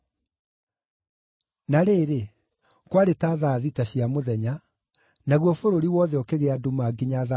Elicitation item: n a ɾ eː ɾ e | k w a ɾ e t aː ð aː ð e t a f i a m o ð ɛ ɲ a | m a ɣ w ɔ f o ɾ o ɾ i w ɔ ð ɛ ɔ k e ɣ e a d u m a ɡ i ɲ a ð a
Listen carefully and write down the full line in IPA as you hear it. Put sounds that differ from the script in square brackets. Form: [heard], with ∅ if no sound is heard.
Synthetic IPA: n a ɾ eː ɾ e | k w a ɾ e t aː ð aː ð [i] t a [ɕ] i a m o ð ɛ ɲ a | [n] a ɣ w ɔ f o ɾ o ɾ i w ɔ ð ɛ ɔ k e ɣ e a d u m a ɡ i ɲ a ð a